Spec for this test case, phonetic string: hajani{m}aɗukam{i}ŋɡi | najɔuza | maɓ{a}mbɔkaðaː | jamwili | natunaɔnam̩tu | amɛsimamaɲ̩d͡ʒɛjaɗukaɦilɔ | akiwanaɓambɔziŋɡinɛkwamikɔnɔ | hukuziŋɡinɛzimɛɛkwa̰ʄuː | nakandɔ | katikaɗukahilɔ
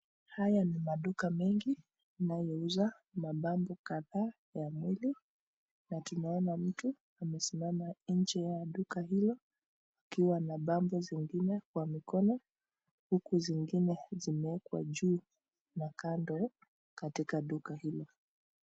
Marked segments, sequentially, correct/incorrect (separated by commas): correct, incorrect, correct